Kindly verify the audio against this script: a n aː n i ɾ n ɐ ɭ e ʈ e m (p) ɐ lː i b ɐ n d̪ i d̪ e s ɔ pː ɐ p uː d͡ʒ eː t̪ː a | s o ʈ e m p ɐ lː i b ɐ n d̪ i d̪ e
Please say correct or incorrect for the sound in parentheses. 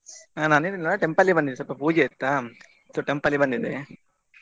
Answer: correct